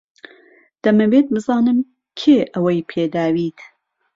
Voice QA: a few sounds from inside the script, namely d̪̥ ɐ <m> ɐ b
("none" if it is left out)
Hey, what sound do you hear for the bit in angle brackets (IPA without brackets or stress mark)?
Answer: m